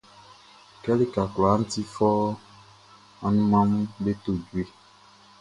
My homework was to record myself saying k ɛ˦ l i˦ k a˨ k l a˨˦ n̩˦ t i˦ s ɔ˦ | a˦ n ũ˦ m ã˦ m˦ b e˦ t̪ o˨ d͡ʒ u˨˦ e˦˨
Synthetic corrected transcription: k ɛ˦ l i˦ k a˨ k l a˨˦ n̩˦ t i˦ f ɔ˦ | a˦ n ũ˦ m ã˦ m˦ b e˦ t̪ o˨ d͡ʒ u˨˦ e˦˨